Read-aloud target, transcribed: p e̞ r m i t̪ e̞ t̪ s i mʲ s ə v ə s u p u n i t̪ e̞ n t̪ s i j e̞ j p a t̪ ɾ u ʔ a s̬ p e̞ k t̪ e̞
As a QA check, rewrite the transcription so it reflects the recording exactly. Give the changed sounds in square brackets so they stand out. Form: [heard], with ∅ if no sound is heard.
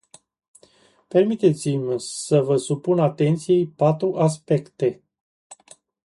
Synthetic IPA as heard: p e̞ r m i t̪ e̞ t̪ s i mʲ s ə v ə s u p u n [a] t̪ e̞ n t̪ s i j e̞ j p a t̪ ɾ u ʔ a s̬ p e̞ k t̪ e̞